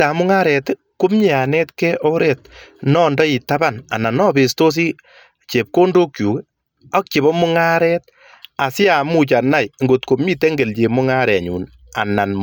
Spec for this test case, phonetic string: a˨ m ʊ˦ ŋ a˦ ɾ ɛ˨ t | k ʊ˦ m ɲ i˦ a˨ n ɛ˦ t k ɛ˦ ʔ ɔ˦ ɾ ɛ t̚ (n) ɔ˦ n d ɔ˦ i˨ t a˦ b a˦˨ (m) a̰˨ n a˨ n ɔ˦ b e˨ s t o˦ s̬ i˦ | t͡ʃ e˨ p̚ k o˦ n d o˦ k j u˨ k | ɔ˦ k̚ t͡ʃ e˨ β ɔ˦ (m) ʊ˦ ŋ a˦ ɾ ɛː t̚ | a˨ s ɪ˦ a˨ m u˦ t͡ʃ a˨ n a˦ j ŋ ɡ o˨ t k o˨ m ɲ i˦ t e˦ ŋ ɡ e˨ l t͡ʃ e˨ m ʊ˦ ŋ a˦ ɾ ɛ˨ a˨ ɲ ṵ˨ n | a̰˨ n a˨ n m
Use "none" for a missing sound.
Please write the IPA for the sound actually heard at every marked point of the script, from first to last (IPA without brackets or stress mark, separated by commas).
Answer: n, n, m